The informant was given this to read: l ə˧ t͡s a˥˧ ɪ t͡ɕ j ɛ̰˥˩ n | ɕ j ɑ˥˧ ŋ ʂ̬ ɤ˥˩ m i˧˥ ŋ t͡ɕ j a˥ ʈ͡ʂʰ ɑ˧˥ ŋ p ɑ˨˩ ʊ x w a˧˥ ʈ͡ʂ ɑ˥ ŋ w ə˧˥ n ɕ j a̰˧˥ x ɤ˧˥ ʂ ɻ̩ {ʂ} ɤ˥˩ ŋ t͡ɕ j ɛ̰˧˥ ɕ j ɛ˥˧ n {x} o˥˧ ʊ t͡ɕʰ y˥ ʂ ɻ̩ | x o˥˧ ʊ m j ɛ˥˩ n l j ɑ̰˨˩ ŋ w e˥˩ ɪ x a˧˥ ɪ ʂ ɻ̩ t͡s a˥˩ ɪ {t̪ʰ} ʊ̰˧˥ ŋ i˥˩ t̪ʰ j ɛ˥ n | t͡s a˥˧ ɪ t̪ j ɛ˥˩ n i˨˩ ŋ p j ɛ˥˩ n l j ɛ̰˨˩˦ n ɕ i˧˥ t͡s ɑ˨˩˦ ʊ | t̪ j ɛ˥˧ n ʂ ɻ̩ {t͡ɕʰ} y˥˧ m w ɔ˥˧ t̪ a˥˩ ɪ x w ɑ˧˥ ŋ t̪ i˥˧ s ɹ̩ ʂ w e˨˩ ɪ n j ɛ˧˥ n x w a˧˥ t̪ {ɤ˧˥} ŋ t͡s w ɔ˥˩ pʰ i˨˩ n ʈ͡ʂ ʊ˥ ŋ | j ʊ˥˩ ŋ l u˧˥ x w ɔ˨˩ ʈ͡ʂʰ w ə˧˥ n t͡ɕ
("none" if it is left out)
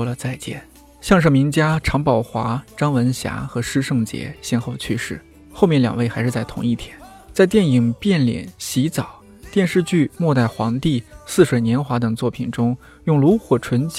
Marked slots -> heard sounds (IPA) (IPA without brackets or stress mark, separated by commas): ʂ, x, t̪ʰ, t͡ɕ, ɤ˨˩